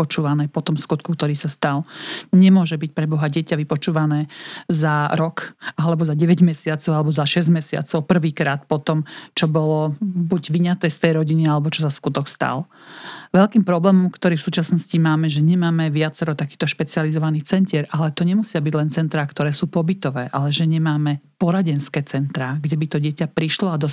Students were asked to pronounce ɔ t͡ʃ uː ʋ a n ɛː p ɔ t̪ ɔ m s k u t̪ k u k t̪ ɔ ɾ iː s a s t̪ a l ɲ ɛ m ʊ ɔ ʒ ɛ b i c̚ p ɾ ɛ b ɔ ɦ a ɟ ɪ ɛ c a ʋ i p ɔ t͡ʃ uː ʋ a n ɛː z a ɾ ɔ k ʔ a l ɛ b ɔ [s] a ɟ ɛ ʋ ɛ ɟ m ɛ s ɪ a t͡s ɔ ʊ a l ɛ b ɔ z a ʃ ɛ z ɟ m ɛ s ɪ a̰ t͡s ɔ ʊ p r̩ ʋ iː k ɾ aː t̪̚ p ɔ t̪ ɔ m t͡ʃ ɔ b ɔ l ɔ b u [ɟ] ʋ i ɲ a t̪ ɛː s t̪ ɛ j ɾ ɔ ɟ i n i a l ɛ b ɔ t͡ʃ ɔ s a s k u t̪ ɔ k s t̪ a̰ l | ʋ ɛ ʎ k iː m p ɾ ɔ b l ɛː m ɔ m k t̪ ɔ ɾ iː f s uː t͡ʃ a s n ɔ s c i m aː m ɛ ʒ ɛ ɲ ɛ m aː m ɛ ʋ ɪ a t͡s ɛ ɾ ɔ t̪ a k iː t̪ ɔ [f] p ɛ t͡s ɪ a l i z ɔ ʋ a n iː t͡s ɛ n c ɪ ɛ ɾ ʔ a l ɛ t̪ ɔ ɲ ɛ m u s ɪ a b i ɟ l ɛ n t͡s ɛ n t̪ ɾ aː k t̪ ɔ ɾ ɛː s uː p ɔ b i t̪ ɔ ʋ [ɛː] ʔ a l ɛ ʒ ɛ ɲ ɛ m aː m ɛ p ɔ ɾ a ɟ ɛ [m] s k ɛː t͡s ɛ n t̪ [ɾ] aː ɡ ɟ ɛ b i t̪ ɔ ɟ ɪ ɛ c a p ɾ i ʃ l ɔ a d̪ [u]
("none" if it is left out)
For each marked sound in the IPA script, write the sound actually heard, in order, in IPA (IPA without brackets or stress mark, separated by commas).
z, ɟ, ʃ, ɛː, n, ɾ, ɔ